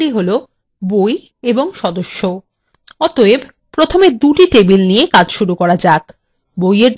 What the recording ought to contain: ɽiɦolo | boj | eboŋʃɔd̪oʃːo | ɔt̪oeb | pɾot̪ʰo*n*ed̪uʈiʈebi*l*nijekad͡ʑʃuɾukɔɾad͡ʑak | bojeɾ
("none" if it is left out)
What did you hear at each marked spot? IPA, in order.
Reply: m, l

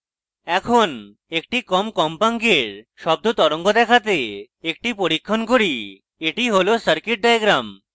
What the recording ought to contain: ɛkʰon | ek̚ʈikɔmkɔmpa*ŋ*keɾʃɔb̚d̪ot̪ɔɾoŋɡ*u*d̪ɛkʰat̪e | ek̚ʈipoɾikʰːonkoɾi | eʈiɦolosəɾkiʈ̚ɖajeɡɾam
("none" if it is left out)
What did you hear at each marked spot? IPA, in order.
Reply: ŋ, o

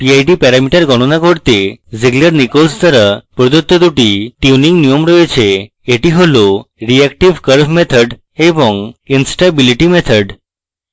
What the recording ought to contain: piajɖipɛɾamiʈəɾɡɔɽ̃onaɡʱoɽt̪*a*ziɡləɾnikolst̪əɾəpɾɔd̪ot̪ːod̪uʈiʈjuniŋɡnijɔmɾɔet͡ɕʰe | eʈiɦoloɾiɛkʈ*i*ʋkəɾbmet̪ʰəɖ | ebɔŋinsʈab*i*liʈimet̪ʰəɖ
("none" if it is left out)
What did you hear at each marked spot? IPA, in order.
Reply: e, i, i

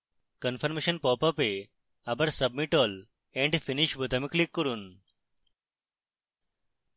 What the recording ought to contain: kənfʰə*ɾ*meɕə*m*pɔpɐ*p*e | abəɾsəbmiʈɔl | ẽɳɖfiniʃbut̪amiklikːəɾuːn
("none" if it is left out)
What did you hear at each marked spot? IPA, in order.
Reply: ɾ, n, p

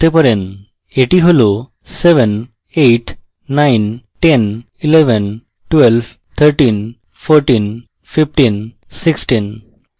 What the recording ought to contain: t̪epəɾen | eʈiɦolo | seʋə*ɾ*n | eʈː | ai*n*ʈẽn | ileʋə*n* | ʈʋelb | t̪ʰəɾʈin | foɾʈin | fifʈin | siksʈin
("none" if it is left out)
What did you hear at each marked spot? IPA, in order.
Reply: none, n, n

